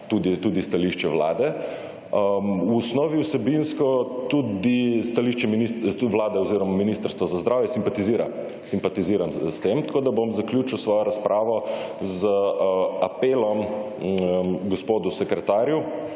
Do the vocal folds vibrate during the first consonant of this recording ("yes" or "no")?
no